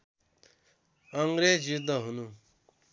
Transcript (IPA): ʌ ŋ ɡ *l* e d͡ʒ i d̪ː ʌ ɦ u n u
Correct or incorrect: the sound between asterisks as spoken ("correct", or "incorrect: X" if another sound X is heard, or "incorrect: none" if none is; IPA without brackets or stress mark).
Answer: incorrect: ɾ